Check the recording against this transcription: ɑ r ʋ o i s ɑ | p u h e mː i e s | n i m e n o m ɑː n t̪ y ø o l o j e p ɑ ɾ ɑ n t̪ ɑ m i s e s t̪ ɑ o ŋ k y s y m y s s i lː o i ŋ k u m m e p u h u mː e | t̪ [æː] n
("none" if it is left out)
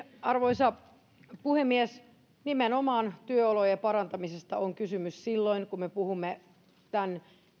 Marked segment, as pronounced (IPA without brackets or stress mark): æ